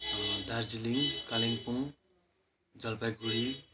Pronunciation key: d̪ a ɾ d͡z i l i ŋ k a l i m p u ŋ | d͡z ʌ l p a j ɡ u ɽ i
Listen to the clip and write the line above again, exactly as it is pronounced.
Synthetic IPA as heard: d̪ a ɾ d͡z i l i ŋ k a l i ŋ p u ŋ | d͡z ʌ l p a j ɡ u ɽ i

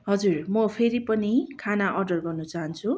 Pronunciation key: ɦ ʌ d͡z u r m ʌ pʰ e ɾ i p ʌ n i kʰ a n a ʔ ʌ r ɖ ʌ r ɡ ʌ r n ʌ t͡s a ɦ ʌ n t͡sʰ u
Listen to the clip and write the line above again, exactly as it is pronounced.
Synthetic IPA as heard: ɦ ʌ d͡z u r m ʌ pʰ e ɾ i p ʌ n i kʰ a n a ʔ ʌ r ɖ ʌ r ɡ ʌ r n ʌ t͡s a ɦ ʌ n t͡sʰ u

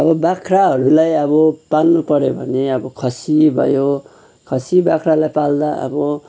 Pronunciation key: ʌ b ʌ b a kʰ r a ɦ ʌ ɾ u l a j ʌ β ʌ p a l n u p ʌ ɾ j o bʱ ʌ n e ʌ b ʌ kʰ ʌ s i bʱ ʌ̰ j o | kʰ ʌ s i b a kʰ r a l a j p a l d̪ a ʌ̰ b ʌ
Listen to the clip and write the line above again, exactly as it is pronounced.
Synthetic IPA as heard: ʌ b ʌ b a kʰ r a ɦ ʌ ɾ u l a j ʌ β ʌ p a l n u p ʌ ɾ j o bʱ ʌ n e ʌ b ʌ kʰ ʌ s i bʱ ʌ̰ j o | kʰ ʌ s i b a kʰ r a l a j p a l d̪ a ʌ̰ b ʌ

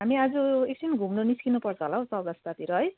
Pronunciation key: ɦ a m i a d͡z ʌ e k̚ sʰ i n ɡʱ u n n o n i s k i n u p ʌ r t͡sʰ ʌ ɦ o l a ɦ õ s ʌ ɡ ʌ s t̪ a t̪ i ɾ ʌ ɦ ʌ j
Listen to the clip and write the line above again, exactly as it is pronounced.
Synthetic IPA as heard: ɦ a m i a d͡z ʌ e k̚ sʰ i n ɡʱ u m n o n i s k i n u p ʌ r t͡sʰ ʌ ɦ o l a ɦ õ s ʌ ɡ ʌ s t̪ a t̪ i ɾ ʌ ɦ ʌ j

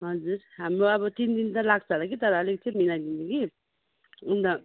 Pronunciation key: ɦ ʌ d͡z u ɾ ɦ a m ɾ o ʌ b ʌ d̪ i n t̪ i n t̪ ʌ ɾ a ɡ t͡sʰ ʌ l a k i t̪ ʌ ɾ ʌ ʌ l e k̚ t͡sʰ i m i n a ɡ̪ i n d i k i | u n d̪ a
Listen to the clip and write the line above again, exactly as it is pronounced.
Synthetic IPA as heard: ɦ ʌ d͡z u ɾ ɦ a m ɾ o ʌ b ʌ t̪ i n d̪ i n t̪ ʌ l a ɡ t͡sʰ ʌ l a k i t̪ ʌ ɾ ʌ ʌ l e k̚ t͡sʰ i m i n a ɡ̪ i n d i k i | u n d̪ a

